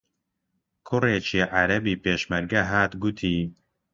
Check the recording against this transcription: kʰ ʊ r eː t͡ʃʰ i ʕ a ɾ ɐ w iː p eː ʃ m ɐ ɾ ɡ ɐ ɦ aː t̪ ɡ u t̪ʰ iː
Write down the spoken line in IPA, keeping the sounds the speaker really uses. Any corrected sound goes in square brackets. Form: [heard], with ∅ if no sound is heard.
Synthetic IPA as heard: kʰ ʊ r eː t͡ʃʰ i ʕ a ɾ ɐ [b] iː p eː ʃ m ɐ ɾ ɡ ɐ ɦ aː t̪ ɡ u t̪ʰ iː